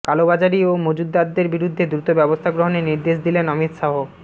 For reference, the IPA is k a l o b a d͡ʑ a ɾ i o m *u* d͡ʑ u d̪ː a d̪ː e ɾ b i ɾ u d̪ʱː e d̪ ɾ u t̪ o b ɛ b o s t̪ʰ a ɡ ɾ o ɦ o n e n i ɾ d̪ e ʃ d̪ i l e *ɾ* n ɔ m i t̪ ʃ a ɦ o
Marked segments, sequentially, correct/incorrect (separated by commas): incorrect, incorrect